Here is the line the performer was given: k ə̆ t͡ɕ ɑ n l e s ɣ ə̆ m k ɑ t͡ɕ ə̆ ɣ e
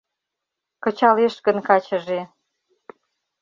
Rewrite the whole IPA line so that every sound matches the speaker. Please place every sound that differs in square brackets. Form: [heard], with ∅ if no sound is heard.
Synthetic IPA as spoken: k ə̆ t͡ɕ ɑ [∅] l e [ʃ] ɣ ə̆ [n] k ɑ t͡ɕ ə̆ [ʒ] e